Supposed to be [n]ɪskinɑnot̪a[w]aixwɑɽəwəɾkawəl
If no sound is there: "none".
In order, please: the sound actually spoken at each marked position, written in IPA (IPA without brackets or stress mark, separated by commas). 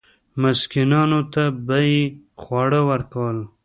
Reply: m, b